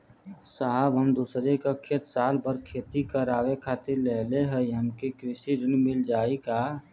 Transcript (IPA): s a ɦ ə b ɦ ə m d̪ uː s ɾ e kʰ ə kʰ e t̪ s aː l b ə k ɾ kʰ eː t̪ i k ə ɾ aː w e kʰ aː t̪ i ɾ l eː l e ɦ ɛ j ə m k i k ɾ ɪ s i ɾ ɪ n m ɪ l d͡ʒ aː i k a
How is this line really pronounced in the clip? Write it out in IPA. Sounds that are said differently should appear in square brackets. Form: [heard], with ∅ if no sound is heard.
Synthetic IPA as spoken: s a ɦ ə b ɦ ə m d̪ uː s ɾ e [k] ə kʰ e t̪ s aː l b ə [∅] ɾ kʰ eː t̪ i k ə ɾ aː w e kʰ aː t̪ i ɾ l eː l e ɦ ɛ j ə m k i k ɾ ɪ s i ɾ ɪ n m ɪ l d͡ʒ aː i k a